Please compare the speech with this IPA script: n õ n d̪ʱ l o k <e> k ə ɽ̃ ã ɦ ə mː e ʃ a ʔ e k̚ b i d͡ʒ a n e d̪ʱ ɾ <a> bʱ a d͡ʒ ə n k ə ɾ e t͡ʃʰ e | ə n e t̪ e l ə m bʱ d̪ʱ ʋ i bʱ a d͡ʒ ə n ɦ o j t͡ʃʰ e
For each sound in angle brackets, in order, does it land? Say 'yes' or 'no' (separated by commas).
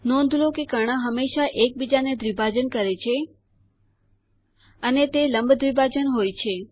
yes, no